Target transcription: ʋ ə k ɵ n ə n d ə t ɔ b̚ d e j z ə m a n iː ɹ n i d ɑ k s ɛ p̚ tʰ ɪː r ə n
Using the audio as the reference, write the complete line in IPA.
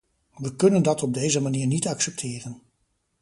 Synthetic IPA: ʋ ə k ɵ n ə n d ɑ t ɔ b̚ d e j z ə m a n iː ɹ n i t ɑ k s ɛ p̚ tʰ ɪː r ə n